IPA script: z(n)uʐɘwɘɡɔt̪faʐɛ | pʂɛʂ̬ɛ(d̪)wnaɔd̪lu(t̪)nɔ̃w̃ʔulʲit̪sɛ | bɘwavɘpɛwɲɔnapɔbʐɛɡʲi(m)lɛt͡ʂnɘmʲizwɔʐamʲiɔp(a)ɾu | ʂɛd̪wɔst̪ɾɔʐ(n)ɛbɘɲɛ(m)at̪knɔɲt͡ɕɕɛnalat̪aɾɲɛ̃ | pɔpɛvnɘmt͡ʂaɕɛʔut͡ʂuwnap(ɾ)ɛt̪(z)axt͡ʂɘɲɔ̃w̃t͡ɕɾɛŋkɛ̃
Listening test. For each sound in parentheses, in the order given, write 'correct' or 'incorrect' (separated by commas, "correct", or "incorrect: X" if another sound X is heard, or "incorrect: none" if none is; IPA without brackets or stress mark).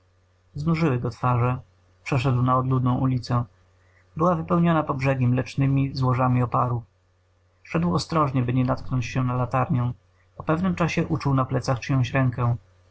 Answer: correct, correct, incorrect: d̪, correct, correct, incorrect: ɲ, incorrect: n, incorrect: l, incorrect: s